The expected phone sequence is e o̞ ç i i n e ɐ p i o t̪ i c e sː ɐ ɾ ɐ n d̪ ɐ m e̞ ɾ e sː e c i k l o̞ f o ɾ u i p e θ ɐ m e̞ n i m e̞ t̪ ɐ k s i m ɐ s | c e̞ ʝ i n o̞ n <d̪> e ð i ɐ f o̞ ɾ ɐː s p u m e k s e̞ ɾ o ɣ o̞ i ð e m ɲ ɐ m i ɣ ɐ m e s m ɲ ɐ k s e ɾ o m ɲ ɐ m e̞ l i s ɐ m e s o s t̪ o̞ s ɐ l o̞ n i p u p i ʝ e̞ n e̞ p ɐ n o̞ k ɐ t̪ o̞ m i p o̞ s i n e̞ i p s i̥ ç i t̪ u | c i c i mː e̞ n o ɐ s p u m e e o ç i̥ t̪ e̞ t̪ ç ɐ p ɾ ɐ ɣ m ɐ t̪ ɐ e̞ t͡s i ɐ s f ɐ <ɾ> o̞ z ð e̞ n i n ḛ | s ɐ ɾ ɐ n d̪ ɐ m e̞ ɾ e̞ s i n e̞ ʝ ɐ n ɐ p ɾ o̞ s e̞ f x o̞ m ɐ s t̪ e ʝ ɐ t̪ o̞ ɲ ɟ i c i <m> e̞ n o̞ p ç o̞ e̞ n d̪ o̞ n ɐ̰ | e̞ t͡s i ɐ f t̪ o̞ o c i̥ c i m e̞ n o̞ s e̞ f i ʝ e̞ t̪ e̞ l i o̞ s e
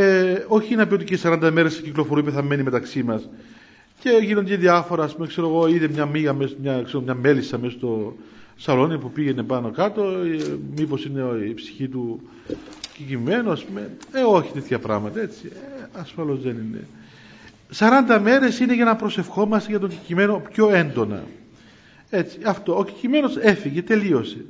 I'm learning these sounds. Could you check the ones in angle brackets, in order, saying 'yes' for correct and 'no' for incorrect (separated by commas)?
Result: yes, no, yes